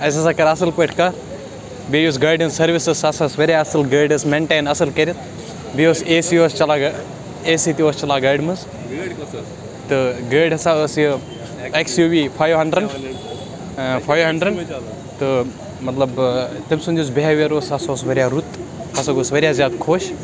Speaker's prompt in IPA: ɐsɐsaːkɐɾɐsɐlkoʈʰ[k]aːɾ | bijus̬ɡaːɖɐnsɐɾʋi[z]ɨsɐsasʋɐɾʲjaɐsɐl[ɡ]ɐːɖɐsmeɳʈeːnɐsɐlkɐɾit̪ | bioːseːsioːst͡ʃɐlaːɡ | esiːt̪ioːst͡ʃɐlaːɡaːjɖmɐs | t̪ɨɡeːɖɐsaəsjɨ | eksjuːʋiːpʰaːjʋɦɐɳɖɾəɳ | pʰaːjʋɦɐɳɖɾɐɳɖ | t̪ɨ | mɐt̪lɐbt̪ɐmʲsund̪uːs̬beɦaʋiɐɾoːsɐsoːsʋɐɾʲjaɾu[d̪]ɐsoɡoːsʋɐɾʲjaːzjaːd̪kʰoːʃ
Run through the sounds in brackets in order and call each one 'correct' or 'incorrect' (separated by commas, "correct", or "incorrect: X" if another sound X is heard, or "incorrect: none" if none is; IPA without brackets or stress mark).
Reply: correct, incorrect: s, correct, incorrect: t̪